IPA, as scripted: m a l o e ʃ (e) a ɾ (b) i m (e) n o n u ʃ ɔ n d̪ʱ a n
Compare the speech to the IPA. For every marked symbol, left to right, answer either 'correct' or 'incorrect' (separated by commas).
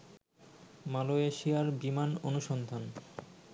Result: incorrect, correct, incorrect